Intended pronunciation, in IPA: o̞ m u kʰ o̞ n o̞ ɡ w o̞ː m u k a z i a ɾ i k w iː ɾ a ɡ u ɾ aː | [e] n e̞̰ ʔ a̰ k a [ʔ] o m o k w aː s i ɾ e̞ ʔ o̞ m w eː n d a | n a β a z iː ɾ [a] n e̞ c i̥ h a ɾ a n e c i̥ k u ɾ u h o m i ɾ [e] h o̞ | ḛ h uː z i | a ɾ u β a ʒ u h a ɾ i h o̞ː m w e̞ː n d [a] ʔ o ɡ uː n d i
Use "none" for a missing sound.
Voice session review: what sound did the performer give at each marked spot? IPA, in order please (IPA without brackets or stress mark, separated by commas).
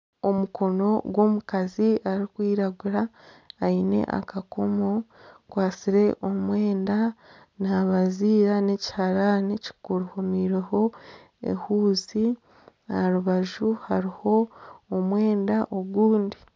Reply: i, k, a, e, a